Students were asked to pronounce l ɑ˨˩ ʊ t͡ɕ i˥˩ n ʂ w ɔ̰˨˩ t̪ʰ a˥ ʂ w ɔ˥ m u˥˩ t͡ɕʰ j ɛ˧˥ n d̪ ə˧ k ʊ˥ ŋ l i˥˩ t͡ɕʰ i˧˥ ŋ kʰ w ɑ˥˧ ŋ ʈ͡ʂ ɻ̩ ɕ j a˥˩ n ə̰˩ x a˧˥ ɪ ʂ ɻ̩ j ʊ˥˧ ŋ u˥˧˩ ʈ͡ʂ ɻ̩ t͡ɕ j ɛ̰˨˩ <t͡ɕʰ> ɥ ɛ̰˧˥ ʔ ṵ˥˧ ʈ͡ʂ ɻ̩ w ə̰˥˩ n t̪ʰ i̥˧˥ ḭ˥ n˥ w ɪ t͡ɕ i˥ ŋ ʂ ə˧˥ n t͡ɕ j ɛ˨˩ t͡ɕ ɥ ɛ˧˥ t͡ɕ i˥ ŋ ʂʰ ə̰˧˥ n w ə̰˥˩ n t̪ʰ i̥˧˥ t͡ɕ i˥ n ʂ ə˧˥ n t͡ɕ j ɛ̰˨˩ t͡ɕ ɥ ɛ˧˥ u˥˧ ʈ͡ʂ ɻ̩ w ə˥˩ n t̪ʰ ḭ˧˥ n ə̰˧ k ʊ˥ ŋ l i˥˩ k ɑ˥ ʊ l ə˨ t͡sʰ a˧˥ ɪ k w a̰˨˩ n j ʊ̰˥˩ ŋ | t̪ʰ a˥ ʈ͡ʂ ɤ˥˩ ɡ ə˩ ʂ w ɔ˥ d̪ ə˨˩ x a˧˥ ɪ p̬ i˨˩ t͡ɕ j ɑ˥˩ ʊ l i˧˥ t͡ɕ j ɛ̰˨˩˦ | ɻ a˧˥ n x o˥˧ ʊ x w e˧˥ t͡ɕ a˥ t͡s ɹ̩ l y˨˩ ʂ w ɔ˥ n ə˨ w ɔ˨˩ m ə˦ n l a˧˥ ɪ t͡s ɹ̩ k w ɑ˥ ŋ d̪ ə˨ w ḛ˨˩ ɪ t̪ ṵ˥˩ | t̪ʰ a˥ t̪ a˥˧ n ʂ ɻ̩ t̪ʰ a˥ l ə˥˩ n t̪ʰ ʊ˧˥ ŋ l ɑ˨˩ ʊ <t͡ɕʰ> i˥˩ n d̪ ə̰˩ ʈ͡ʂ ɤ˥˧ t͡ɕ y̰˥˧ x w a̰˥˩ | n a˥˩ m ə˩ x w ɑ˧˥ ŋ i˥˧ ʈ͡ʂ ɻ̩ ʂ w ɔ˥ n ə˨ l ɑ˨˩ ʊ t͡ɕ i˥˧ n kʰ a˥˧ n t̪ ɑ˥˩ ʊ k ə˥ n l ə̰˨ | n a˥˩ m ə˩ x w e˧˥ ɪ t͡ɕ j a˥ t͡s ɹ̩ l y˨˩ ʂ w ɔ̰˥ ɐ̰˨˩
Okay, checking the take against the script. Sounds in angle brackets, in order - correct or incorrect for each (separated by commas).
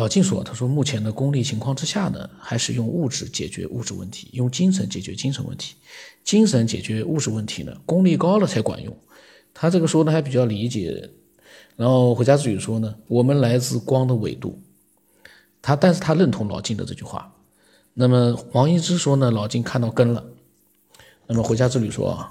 incorrect, incorrect